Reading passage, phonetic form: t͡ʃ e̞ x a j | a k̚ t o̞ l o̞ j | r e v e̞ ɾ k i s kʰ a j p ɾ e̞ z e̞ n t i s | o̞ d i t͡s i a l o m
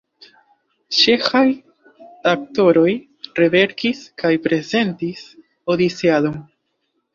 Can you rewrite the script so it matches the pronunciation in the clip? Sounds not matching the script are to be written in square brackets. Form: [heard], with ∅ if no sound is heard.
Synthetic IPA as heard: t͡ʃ e̞ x a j | a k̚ t o̞ [ɾ] o̞ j | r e v e̞ ɾ k i s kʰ a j p ɾ e̞ z e̞ n t i s | o̞ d i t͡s i a l o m

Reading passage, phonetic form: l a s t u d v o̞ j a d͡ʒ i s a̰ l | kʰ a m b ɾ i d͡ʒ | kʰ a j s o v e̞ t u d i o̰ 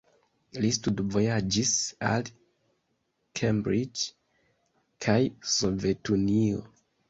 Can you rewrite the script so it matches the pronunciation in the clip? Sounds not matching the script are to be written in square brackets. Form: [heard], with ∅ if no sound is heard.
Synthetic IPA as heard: l [i] s t u d v o̞ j a d͡ʒ i s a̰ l | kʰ [e] m b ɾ i d͡ʒ | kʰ a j s o v e̞ t u [n] i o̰

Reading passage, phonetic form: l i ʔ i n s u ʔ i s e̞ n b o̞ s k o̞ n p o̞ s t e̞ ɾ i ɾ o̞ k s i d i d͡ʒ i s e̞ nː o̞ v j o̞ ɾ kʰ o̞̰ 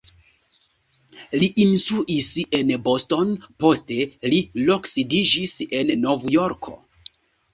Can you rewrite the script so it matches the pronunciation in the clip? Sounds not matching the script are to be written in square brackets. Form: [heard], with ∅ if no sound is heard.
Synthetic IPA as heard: l i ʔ i n s u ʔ i s e̞ n b o̞ s [t] o̞ n p o̞ s t e̞ [l] i [l] o̞ k s i d i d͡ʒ i s e̞ nː o̞ v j o̞ ɾ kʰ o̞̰

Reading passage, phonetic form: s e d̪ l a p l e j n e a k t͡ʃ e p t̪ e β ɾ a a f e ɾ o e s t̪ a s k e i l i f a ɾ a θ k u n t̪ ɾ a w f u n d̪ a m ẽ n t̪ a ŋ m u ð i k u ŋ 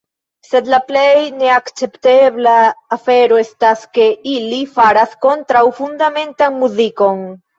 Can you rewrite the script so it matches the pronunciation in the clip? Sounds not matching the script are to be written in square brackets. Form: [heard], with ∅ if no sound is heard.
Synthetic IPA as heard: s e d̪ l a p l e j n e a k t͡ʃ e p t̪ e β [l] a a f e ɾ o e s t̪ a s k e i l i f a ɾ a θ k [o] n t̪ ɾ a w f u n d̪ a m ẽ n t̪ a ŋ m u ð i k [o] ŋ

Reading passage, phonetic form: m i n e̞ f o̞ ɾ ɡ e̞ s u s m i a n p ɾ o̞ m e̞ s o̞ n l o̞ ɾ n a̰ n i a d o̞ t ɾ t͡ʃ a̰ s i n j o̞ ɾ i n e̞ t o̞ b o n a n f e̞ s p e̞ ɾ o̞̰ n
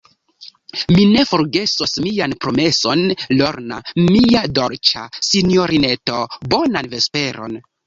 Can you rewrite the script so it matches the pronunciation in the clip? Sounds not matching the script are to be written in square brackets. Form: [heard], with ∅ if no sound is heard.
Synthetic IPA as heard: m i n e̞ f o̞ ɾ ɡ e̞ s [o] s m i a n p ɾ o̞ m e̞ s o̞ n l o̞ ɾ n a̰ [m] i a d o̞ [∅] ɾ t͡ʃ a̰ s i n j o̞ ɾ i n e̞ t o̞ b o n a n [v] e̞ s p e̞ ɾ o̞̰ n

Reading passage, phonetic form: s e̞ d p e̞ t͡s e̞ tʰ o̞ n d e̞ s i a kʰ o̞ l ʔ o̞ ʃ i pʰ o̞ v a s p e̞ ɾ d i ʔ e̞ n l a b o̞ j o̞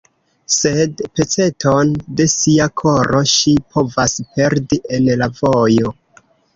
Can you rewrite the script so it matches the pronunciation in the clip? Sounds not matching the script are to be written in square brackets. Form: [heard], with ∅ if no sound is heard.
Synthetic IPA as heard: s e̞ d p e̞ t͡s e̞ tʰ o̞ n d e̞ s i a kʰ o̞ [ɾ] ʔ o̞ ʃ i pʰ o̞ v a s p e̞ ɾ d i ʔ e̞ n l a [v] o̞ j o̞

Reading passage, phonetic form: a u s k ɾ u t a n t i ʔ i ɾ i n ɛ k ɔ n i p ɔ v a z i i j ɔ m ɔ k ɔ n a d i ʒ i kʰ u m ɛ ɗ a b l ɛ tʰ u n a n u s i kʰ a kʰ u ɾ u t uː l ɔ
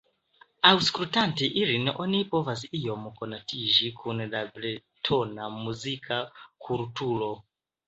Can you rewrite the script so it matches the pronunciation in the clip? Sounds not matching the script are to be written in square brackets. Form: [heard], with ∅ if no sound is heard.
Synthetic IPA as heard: a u s k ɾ u t a n t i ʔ i ɾ i n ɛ [ʔ] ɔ n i p ɔ v a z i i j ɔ m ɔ k ɔ n a [t] i ʒ i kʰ u [n] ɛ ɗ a b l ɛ tʰ [ɔ] n a [m] u [z] i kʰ a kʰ u ɾ u t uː l ɔ

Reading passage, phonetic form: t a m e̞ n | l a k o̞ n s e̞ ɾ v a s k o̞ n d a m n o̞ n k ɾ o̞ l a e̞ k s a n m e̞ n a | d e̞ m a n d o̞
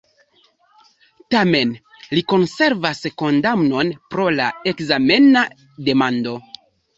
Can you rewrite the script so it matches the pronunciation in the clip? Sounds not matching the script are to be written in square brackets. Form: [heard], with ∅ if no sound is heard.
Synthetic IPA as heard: t a m e̞ n | l [i] k o̞ n s e̞ ɾ v a s k o̞ n d a m n o̞ n [p] ɾ o̞ l a e̞ k [z] a [∅] m e̞ n a | d e̞ m a n d o̞

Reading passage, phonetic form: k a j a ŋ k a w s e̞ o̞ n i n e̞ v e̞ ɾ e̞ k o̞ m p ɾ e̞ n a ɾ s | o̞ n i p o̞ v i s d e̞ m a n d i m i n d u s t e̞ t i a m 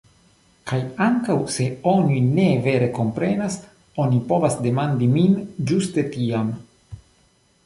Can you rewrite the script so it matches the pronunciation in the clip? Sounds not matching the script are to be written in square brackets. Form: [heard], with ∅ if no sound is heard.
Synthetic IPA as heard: k a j a ŋ k a w s e̞ o̞ n i n e̞ v e̞ ɾ e̞ k o̞ m p ɾ e̞ n a [∅] s | o̞ n i p o̞ v [a] s d e̞ m a n d i m i n [d͡ʒ] u s t e̞ t i a m

